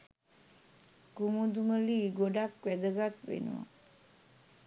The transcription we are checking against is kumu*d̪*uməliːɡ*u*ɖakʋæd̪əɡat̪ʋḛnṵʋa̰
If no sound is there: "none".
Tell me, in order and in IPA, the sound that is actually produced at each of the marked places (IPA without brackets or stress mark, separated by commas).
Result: d̪, o